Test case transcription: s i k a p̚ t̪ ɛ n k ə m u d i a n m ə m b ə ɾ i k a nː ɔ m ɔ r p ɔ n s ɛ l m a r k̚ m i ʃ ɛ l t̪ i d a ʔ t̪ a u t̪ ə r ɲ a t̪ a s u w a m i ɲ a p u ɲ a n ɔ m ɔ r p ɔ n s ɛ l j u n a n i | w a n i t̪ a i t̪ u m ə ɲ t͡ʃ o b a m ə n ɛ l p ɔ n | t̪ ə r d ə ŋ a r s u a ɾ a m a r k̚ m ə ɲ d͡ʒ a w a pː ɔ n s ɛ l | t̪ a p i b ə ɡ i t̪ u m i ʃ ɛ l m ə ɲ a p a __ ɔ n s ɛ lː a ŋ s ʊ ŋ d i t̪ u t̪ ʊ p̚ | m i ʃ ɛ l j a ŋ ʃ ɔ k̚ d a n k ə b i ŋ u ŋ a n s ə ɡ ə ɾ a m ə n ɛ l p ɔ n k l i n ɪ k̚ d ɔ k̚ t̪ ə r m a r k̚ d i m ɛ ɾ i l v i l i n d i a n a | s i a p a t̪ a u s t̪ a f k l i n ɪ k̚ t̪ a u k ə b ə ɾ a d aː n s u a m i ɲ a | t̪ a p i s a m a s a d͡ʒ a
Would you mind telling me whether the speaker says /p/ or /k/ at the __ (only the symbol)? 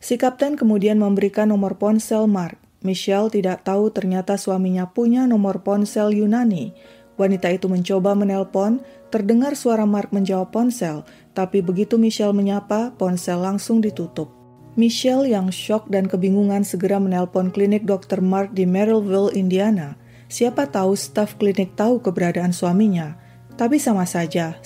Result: p